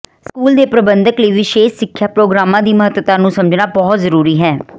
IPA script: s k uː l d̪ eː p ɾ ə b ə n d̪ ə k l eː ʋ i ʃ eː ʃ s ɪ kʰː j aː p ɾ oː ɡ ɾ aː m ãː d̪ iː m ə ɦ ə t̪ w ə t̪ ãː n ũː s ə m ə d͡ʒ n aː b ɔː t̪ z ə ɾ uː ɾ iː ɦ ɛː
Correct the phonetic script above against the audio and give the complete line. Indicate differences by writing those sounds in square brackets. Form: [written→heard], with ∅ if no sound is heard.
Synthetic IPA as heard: s k uː l d̪ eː p ɾ ə b ə n d̪ ə k l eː ʋ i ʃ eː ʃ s ɪ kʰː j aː p ɾ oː ɡ ɾ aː m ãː d̪ iː m ə ɦ ə t̪ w ə t̪ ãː n ũː s ə m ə d͡ʒ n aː b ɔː t̪ z ə ɾ uː ɾ iː ɦ ɛː